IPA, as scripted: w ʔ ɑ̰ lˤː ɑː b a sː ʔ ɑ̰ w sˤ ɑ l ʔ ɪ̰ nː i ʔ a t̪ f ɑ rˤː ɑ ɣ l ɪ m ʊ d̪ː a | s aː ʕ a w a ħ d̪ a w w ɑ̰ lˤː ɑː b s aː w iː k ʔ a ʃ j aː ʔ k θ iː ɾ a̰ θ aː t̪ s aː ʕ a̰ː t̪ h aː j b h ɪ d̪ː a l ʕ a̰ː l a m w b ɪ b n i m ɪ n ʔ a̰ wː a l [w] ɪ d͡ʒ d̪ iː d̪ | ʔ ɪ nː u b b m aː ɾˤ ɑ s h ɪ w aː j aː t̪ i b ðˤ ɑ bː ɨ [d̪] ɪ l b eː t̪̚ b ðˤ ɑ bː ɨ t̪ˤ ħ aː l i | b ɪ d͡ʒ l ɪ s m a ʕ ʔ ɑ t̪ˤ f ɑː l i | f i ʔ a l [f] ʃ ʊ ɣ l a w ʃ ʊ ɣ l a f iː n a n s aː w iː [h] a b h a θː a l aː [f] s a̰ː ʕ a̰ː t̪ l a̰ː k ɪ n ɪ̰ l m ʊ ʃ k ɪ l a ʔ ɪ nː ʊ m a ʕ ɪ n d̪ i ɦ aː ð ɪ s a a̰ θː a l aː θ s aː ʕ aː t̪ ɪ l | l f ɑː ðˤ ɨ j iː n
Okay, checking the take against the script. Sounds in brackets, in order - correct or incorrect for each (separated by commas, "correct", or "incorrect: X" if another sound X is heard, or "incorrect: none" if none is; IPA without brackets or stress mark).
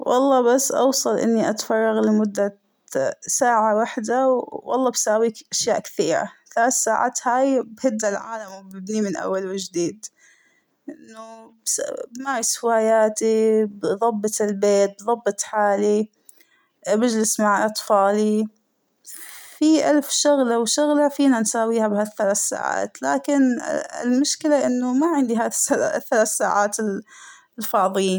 correct, incorrect: t̪, correct, correct, incorrect: θ